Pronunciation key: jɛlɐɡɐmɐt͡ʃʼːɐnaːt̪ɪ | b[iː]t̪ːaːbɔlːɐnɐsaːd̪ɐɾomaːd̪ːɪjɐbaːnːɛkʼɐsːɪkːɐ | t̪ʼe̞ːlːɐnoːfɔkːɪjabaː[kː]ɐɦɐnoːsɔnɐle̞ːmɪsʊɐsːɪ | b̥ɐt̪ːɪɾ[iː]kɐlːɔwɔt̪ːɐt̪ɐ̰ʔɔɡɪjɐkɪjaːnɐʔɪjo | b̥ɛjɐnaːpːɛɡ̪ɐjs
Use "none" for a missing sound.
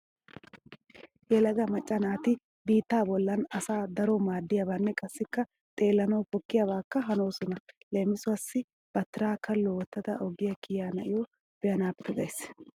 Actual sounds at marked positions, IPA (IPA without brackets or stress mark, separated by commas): iː, kː, aː